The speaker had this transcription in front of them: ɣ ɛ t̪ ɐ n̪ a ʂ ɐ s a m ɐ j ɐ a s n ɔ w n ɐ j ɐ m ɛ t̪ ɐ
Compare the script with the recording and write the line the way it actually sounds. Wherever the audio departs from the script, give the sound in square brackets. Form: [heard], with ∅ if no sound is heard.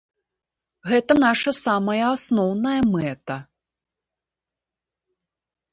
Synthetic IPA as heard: ɣ ɛ t̪ ɐ n̪ a ʂ ɐ s a m ɐ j ɐ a s n ɔ w n ɐ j ɐ m ɛ t̪ ɐ